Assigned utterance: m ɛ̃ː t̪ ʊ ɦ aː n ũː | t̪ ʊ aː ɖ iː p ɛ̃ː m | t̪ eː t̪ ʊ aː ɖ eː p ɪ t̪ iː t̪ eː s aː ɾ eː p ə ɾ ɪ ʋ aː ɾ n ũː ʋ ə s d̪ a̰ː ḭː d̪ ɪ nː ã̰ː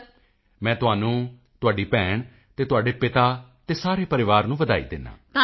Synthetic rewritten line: m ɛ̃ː t̪ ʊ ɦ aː n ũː | t̪ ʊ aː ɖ iː p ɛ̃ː ɳ | t̪ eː t̪ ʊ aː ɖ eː p ɪ t̪ aː t̪ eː s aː ɾ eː p ə ɾ ɪ ʋ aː ɾ n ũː ʋ ə d̪ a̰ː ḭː d̪ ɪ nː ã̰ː